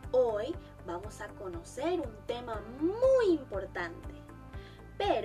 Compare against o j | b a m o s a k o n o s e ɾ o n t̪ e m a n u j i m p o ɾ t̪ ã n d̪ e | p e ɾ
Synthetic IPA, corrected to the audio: o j | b a m o s a k o n o s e ɾ u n t̪ e m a m u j i m p o ɾ t̪ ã n t̪ e | p e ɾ